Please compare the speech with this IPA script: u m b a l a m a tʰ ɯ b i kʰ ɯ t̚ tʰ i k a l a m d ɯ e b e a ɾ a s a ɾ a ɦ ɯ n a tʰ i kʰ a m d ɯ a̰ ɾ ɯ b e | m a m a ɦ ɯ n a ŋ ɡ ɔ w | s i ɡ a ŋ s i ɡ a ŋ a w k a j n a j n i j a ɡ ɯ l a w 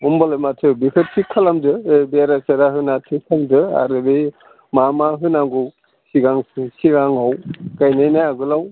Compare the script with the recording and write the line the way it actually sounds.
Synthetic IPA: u m b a l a m a tʰ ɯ b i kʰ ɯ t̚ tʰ i kʰ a l a m d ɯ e b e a ɾ a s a ɾ a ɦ ɯ n a tʰ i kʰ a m d ɯ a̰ ɾ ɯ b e | m a m a ɦ ɯ n a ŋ ɡ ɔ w | s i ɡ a ŋ s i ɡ a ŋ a w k a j n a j n a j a ɡ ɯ l a w